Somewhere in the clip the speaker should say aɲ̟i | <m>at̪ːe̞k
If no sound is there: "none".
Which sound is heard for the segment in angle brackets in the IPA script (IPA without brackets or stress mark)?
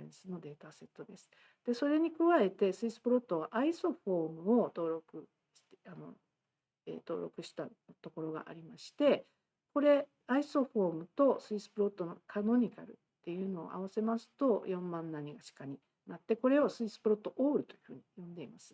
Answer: n